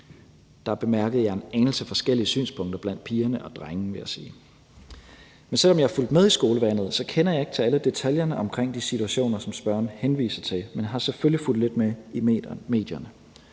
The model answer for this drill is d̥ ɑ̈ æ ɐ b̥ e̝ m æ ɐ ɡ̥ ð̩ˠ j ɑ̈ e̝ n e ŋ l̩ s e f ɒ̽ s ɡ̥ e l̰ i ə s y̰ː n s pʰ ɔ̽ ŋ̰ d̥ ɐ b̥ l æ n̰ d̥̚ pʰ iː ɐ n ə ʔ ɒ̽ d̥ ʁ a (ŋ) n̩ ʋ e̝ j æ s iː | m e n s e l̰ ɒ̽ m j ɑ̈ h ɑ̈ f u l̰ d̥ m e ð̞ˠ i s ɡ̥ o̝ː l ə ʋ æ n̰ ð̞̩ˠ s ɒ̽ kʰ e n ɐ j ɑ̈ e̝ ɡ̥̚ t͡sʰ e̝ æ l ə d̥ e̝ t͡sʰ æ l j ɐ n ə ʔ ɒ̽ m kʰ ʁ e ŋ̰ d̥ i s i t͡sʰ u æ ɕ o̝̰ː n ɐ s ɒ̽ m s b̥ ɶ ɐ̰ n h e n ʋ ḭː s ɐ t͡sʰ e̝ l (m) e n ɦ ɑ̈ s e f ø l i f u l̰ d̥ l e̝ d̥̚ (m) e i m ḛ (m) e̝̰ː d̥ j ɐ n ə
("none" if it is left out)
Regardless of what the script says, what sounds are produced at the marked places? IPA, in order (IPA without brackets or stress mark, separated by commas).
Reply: ŋ, m, m, m